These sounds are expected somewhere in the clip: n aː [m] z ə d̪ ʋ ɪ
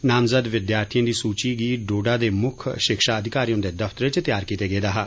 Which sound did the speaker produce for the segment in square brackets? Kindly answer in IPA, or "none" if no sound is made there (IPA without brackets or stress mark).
m